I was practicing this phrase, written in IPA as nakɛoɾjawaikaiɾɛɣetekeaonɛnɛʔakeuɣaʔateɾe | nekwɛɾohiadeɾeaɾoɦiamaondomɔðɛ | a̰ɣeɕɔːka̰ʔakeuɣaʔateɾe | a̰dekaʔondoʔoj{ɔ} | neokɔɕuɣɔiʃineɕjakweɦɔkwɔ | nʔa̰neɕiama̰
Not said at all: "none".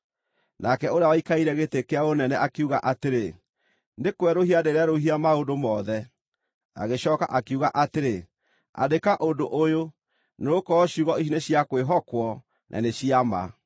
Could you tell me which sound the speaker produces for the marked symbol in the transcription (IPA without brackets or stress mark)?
o